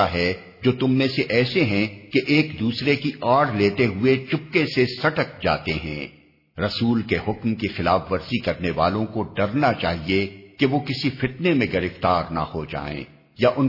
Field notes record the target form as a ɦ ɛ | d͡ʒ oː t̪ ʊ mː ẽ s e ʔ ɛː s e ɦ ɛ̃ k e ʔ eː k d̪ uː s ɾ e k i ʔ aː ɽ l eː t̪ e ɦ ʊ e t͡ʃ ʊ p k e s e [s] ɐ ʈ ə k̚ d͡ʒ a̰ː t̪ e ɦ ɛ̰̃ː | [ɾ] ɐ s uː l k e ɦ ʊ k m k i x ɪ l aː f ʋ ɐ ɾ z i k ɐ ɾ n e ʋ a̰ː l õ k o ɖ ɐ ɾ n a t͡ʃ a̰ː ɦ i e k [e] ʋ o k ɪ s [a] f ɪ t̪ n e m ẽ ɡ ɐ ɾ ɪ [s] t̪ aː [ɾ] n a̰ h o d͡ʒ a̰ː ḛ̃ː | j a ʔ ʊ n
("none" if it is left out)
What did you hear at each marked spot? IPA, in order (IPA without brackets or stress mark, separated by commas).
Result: s, ɾ, e, i, f, ɾ